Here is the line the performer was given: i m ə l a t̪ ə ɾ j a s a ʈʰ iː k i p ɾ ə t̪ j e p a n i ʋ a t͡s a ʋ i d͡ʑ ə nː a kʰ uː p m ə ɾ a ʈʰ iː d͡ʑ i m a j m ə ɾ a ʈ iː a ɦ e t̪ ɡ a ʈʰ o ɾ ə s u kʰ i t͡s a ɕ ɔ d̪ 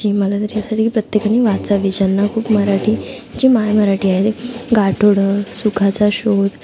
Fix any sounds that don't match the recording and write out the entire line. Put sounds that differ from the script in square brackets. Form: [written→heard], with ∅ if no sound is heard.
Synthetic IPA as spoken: i m ə l a t̪ ə ɾ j a s a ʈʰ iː k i p ɾ ə t̪ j e [p→k] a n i ʋ a t͡s a ʋ i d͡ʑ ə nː a kʰ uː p m ə ɾ a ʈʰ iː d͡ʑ i m a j m ə ɾ a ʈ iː a ɦ e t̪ ɡ a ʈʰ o [ɾ→ɽ] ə s u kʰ [i→a] t͡s a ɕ [ɔ→o] d̪